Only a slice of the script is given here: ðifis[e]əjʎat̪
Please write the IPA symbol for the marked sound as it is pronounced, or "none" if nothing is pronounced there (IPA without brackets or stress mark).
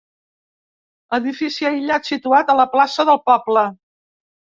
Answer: i